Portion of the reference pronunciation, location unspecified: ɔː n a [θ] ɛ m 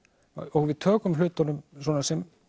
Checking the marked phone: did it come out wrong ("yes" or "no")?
yes